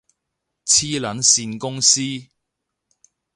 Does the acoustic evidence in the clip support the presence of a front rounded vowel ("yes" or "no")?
no